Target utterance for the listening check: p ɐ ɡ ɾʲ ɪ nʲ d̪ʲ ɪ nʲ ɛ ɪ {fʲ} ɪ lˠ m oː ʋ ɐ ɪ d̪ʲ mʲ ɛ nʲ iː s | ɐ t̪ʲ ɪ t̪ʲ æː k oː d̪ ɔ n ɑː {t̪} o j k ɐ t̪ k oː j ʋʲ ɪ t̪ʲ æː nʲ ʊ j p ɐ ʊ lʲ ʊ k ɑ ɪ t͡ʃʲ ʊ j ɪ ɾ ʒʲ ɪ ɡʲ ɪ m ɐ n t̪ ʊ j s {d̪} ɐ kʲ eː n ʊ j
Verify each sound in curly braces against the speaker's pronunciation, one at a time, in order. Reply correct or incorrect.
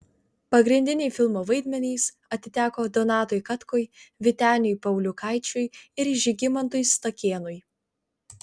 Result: correct, correct, incorrect: t̪

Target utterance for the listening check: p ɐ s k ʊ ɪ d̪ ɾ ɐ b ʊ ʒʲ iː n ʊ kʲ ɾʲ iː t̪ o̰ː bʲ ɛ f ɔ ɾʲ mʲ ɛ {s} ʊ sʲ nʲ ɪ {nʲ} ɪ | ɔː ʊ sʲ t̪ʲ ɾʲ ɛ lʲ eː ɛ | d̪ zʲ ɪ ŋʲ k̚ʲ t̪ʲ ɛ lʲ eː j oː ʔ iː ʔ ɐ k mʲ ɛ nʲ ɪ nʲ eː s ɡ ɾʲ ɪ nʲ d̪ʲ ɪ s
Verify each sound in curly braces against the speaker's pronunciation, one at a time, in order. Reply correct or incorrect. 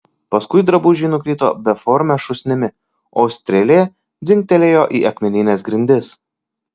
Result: incorrect: ʃ, incorrect: mʲ

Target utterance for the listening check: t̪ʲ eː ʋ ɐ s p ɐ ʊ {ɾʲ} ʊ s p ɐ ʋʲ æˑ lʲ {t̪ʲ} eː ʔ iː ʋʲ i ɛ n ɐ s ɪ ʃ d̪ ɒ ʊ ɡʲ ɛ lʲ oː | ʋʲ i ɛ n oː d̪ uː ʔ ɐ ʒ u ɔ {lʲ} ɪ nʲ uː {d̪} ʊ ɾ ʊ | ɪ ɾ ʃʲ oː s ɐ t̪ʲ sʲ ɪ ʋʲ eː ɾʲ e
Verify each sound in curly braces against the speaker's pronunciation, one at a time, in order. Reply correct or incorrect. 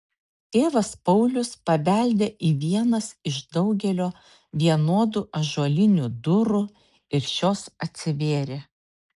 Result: incorrect: lʲ, incorrect: d̪ʲ, correct, correct

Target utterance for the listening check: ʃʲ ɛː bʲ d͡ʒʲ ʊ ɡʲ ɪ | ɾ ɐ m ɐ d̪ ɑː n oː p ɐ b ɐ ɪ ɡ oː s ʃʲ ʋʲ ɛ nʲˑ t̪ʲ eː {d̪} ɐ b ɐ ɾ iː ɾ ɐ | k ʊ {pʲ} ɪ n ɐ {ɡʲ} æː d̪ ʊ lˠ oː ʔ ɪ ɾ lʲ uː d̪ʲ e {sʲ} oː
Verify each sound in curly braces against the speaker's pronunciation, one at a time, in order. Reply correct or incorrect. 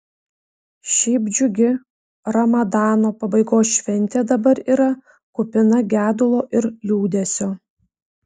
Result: correct, correct, correct, correct

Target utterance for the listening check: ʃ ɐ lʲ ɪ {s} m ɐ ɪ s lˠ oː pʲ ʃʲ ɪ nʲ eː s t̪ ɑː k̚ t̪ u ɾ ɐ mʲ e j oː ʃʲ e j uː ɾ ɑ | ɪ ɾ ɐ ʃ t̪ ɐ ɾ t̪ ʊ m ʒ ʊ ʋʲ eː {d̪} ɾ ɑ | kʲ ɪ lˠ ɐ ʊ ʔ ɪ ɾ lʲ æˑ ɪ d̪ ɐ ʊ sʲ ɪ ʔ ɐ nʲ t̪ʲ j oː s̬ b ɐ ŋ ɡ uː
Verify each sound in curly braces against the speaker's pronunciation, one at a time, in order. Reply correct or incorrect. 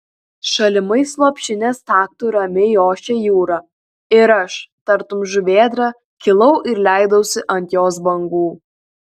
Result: incorrect: none, correct

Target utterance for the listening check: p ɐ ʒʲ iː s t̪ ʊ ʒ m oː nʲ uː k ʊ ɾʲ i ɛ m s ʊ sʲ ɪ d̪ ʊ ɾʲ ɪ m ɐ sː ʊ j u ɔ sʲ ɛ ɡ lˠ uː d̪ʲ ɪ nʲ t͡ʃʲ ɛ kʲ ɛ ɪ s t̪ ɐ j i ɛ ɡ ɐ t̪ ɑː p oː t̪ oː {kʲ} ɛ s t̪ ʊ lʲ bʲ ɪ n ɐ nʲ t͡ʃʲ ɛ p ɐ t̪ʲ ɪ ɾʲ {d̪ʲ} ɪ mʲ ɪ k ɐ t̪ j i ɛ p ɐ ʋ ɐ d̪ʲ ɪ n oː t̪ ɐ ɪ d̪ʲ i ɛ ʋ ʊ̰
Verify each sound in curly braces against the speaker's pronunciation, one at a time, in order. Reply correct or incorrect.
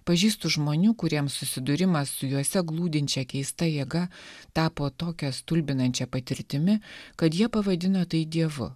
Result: correct, incorrect: t̪ʲ

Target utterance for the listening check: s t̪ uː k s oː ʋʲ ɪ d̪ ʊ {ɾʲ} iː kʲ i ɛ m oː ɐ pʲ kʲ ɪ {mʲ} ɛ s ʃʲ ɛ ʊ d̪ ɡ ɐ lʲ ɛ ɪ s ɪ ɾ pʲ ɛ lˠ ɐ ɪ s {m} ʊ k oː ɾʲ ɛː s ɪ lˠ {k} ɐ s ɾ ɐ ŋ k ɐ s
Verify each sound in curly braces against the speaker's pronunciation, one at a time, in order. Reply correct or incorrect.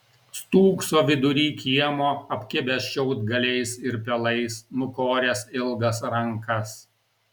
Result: correct, incorrect: bʲ, incorrect: n, incorrect: ɡ

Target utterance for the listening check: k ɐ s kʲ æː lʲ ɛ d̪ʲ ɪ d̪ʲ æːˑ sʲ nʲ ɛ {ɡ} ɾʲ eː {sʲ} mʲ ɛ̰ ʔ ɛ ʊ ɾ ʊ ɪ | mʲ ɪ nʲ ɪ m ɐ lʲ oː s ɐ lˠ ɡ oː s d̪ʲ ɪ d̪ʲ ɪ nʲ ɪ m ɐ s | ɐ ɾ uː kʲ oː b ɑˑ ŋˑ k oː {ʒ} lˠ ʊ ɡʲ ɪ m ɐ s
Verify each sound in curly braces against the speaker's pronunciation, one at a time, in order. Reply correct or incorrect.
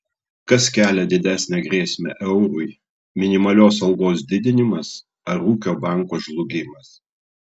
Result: correct, correct, correct

